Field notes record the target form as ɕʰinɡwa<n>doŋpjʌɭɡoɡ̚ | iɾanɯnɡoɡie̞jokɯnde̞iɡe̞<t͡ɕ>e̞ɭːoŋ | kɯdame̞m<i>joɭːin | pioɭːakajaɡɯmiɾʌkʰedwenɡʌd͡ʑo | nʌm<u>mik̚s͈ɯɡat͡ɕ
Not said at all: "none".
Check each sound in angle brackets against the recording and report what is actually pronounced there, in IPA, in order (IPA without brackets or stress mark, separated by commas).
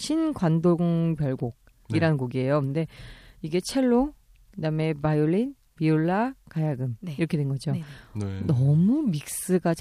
n, t͡ɕʰ, a, u